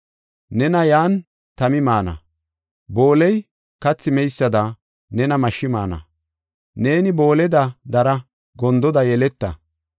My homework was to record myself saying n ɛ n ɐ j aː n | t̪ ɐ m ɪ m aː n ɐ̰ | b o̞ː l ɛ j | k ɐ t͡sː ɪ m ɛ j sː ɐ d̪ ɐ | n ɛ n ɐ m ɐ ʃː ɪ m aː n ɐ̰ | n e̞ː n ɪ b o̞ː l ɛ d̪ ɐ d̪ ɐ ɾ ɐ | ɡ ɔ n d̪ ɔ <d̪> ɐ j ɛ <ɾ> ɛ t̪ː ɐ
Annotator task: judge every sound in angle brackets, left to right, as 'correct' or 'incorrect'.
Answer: correct, incorrect

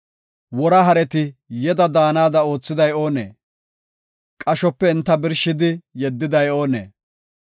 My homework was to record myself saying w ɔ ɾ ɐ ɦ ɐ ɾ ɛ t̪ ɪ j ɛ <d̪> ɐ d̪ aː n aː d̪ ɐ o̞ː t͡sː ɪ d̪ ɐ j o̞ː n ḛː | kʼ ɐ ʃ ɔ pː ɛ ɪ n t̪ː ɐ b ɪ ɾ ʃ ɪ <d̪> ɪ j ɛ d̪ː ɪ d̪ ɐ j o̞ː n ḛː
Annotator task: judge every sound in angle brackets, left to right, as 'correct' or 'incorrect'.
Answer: correct, correct

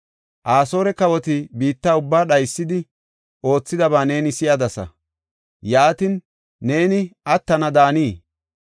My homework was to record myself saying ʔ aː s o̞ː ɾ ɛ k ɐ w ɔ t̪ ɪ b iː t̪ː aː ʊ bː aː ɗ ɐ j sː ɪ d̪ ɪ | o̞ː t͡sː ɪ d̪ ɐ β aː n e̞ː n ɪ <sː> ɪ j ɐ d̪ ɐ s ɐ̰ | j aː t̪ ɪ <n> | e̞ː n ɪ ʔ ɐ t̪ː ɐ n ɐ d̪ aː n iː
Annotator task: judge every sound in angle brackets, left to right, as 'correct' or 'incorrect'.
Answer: incorrect, incorrect

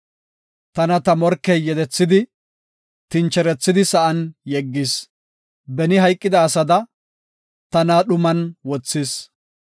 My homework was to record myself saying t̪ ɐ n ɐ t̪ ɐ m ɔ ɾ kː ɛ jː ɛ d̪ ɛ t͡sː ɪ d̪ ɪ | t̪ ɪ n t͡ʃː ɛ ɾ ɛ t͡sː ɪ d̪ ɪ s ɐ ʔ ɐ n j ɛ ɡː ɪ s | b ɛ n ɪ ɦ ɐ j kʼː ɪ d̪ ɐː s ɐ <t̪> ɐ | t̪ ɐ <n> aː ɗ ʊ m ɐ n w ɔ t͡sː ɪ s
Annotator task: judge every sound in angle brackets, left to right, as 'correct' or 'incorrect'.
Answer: incorrect, correct

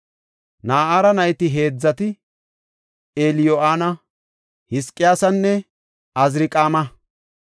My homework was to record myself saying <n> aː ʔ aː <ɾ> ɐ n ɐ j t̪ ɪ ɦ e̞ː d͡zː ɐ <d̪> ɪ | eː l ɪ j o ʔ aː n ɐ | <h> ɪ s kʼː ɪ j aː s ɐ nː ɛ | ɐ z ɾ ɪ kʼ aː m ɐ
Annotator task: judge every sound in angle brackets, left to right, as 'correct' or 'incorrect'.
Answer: correct, correct, incorrect, correct

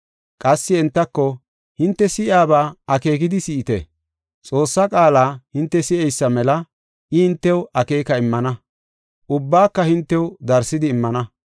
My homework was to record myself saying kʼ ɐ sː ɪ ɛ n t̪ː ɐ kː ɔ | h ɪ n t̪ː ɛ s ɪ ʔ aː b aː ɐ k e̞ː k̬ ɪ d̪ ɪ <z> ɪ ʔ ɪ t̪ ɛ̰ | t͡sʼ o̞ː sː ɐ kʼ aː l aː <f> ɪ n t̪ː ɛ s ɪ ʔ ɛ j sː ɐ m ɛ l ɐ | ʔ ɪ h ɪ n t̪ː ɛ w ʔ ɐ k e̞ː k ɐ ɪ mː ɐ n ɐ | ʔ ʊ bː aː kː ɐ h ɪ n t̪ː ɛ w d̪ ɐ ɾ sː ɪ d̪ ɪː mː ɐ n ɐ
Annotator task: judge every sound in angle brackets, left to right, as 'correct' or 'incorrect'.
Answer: incorrect, incorrect

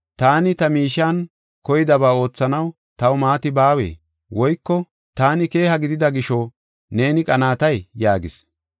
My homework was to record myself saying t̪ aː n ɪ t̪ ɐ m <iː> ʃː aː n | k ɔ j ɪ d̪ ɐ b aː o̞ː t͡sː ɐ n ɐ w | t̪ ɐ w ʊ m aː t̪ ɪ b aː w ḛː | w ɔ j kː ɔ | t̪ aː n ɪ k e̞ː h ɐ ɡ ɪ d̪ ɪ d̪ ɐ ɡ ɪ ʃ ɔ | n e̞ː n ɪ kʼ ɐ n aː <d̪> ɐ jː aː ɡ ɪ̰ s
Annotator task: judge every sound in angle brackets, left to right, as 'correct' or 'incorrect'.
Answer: correct, incorrect

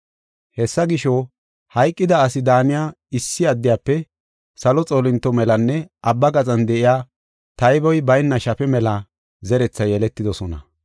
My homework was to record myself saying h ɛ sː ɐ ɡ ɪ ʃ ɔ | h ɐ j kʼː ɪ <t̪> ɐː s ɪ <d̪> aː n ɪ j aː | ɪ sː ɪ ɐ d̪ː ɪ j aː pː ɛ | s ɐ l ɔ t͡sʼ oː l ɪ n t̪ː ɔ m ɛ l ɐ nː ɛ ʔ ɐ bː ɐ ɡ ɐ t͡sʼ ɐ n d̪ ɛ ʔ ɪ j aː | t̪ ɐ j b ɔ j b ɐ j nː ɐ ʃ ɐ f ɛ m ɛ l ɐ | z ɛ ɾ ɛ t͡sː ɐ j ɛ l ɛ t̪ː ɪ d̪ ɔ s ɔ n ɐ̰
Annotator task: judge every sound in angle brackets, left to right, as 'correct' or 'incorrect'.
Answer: incorrect, correct

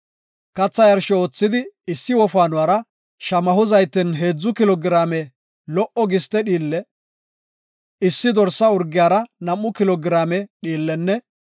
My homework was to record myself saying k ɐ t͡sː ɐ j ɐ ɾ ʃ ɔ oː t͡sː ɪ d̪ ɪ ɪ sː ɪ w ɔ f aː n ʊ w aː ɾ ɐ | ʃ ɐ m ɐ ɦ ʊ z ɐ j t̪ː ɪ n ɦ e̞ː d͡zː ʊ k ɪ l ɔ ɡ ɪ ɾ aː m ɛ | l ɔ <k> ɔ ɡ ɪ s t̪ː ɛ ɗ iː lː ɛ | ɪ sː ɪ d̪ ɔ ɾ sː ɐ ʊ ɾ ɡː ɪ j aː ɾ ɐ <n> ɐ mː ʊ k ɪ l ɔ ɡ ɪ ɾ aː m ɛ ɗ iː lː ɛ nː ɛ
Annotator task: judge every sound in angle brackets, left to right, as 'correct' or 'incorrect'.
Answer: incorrect, correct

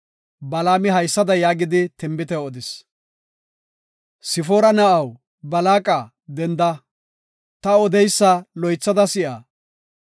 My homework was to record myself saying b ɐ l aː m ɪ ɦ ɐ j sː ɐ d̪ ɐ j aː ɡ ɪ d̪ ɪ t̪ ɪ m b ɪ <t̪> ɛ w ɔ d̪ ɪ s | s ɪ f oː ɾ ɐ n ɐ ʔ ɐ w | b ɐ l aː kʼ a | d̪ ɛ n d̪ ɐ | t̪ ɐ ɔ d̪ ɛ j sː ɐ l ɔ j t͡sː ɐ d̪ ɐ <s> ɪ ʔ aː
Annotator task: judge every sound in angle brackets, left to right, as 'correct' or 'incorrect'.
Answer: correct, correct

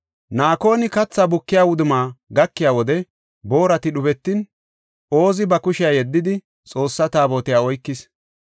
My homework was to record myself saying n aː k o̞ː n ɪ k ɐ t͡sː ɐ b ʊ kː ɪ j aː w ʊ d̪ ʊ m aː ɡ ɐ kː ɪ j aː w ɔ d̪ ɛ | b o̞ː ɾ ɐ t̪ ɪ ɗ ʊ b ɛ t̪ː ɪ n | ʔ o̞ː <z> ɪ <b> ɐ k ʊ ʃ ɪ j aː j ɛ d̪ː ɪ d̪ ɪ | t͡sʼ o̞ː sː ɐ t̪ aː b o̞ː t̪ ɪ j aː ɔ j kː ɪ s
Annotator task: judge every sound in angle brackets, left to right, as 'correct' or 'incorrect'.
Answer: correct, correct

